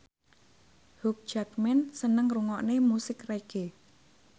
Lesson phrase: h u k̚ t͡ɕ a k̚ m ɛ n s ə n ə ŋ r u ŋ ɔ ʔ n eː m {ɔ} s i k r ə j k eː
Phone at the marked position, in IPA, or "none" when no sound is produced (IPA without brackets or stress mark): u